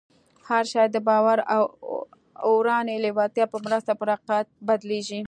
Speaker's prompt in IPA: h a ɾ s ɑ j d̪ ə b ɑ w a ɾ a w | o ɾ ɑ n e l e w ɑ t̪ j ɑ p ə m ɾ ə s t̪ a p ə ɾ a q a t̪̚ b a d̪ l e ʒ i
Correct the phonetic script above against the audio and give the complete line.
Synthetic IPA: h a ɾ ʃ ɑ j d̪ ə b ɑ w a ɾ a w | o ɾ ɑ n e l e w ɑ t̪ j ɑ p ə m ɾ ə s t̪ a p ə ɾ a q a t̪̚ b a d̪ l e ʒ i